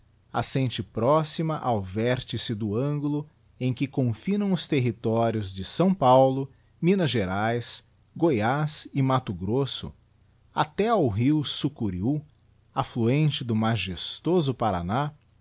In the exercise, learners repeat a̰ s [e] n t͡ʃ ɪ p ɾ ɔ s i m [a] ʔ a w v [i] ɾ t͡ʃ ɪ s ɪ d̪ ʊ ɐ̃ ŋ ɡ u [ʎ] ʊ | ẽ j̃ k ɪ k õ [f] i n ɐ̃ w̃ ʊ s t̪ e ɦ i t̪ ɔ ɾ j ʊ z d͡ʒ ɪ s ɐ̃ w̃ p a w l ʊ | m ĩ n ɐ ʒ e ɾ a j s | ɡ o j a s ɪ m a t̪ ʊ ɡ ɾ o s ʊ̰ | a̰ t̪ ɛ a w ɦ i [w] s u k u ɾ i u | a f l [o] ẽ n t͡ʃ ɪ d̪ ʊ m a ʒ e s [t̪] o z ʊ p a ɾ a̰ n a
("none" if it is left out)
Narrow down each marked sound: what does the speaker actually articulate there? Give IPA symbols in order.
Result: ẽ, ɐ, ɛ, l, f, w, u, t̪

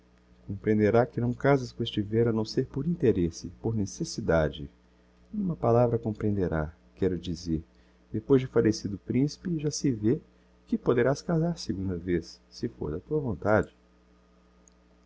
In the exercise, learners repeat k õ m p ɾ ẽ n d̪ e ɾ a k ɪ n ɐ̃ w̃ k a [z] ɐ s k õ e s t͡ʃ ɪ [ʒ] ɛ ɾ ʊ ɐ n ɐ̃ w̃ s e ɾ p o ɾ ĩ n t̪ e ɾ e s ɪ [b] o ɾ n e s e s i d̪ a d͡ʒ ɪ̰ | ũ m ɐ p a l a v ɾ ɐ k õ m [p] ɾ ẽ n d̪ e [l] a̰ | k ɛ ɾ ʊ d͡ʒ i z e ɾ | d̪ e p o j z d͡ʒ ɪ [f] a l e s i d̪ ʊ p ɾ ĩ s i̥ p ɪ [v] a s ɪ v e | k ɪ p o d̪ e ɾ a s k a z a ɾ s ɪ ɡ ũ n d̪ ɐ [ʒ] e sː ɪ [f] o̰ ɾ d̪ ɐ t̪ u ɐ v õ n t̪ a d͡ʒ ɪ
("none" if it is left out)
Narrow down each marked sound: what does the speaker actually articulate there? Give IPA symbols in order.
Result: z, v, p, p, ɾ, f, ʒ, v, f

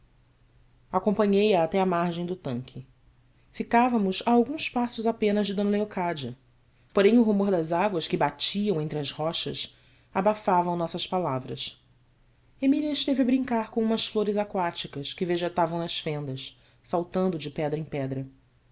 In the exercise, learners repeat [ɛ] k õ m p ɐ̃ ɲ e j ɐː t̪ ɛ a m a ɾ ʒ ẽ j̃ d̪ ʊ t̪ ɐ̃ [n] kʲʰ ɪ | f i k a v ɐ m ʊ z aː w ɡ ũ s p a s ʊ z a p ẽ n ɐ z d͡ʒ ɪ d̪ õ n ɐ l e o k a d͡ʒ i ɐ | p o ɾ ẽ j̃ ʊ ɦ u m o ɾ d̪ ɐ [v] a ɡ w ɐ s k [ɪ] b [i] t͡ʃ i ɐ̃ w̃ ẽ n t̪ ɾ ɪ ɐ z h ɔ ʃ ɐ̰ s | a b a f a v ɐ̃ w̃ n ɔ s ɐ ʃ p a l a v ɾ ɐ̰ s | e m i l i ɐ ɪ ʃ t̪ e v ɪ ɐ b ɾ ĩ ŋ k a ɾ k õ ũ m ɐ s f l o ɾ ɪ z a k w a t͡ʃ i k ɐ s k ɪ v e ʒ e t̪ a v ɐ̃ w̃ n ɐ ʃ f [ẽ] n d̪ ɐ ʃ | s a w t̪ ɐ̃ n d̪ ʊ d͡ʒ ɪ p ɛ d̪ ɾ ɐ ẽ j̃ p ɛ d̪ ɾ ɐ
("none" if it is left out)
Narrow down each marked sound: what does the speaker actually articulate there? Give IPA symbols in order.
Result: a, ŋ, z, ɪ, a, ẽ

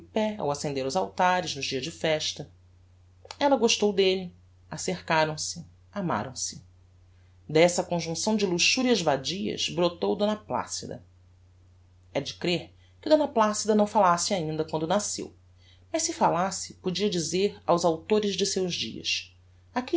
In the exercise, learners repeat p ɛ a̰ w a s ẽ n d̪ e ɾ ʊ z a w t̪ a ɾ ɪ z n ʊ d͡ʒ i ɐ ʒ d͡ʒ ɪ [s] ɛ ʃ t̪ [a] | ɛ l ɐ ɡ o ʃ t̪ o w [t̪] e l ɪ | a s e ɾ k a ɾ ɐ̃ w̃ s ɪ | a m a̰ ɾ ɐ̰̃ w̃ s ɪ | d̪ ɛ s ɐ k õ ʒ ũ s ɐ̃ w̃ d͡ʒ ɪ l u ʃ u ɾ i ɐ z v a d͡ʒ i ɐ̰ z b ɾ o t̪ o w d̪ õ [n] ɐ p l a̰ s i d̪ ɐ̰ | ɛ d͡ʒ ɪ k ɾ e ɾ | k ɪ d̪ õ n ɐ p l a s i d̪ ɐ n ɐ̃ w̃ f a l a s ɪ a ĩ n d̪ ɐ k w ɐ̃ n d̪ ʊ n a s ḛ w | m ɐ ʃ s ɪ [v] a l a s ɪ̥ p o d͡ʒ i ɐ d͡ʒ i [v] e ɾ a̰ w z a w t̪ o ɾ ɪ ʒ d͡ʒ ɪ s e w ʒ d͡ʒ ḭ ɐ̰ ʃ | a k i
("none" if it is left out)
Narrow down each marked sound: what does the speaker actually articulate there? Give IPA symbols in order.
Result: f, ɐ, d̪, n, f, z

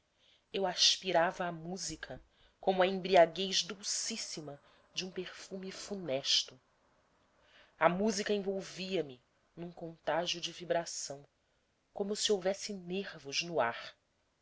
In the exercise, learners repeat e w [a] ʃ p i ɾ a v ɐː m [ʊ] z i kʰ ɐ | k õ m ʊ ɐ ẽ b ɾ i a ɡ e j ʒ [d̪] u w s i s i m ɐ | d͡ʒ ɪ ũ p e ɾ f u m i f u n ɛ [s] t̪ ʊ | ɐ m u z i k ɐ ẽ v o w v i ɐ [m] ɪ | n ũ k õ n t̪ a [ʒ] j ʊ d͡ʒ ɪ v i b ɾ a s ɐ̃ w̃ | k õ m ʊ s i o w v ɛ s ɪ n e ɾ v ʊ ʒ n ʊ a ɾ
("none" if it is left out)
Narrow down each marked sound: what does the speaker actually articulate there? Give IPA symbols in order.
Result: a, u, d̪, ʃ, m, ʒ

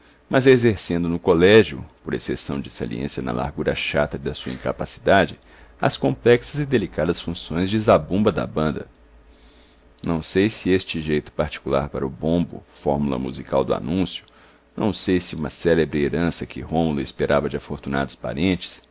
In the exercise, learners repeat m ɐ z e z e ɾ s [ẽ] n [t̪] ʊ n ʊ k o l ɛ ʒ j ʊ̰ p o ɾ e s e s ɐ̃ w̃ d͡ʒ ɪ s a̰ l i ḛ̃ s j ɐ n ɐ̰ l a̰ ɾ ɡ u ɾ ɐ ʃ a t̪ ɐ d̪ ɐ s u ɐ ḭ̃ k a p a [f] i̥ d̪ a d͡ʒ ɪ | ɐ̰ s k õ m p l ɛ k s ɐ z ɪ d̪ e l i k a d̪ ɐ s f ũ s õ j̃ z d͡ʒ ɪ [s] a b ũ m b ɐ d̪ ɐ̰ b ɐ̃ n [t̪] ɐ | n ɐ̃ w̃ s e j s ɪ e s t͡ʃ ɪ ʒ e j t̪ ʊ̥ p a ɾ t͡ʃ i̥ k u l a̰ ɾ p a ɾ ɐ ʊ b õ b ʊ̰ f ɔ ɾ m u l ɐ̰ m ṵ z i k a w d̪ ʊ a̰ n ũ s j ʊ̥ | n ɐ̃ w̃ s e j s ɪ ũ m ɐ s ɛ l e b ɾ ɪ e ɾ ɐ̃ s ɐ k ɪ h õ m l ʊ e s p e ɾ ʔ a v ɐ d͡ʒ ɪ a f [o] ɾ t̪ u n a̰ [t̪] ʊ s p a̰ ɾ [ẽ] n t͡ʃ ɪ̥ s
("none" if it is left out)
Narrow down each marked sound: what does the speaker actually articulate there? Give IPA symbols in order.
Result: ẽ, d̪, s, z, d̪, o, d̪, ẽ

